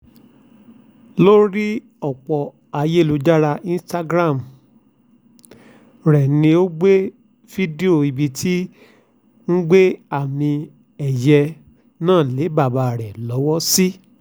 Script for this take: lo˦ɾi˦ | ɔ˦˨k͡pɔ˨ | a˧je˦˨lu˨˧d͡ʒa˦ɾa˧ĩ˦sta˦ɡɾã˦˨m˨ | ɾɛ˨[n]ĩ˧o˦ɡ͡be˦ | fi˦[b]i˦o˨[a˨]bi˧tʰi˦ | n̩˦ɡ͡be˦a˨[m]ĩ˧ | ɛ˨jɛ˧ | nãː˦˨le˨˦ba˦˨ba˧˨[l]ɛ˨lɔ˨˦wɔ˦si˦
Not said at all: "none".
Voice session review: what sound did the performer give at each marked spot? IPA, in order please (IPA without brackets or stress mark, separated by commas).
n, d, i˨, m, ɾ